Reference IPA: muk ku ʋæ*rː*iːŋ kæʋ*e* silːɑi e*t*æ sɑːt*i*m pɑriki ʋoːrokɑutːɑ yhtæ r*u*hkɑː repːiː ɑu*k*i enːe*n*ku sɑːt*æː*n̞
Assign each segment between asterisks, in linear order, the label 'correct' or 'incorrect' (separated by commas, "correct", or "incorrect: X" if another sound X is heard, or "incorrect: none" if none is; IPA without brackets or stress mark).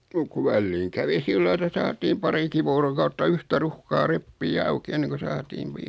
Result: incorrect: lː, incorrect: i, correct, incorrect: iː, correct, correct, incorrect: ŋ, incorrect: iː